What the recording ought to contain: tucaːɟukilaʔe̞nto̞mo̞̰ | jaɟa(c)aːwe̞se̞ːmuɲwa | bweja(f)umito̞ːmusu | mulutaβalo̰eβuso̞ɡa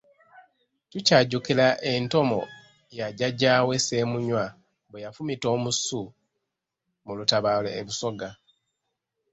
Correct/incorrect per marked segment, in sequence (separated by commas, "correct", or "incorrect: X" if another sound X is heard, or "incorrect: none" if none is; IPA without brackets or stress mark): incorrect: ɟ, correct